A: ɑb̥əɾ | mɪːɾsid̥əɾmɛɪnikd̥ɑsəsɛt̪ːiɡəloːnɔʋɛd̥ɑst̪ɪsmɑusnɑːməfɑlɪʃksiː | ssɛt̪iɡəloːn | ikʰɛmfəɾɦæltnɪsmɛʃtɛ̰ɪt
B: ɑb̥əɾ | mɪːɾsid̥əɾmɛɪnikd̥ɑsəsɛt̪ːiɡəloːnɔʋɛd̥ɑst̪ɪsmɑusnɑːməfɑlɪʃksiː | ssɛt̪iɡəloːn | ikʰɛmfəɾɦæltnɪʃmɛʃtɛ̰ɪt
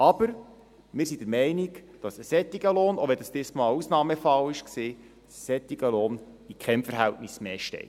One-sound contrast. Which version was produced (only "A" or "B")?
A